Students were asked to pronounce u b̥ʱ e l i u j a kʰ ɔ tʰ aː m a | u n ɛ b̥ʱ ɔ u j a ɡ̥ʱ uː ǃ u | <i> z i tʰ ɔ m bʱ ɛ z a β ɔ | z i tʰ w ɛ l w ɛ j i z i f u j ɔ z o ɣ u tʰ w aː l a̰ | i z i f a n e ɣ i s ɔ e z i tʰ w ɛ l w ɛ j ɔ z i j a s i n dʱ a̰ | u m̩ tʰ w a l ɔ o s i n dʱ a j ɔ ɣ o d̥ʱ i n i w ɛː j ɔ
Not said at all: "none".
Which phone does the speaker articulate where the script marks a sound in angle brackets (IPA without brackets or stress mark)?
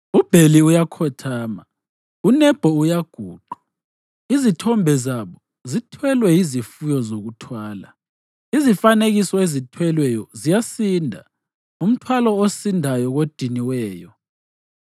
i